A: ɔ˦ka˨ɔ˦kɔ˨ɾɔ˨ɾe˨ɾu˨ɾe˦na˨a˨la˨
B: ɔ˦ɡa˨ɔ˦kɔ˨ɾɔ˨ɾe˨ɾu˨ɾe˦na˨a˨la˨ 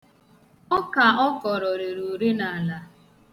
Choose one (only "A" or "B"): A